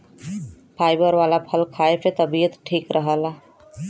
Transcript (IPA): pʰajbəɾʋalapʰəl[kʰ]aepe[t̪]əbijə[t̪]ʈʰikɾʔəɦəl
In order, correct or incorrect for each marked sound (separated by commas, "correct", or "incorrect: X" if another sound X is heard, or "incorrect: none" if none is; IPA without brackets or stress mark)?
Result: correct, correct, correct